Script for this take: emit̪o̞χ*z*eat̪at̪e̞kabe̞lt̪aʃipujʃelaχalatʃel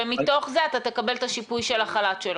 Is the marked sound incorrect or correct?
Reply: correct